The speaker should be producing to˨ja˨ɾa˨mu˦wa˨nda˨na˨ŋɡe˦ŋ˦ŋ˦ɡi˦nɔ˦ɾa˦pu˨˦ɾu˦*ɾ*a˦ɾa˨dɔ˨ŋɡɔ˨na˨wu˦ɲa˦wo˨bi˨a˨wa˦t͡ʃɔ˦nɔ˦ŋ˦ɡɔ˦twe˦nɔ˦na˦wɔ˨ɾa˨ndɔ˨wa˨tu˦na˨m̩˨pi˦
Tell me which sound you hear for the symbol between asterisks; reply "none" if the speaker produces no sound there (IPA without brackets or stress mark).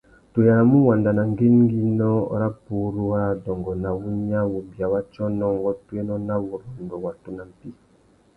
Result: none